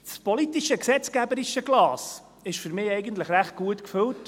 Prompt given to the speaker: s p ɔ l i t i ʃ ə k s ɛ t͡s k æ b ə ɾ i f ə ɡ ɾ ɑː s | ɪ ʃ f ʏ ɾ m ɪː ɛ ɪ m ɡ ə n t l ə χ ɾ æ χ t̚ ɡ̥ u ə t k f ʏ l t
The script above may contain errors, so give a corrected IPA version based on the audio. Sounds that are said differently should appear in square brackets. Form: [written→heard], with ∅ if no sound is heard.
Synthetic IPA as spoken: s p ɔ l i t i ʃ ə k s ɛ t͡s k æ b ə ɾ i [f→ʃ] ə ɡ [ɾ→l] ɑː s | ɪ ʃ f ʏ ɾ m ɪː ɛ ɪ [m→∅] ɡ ə n t l ə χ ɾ æ χ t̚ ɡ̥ u ə t k f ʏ l t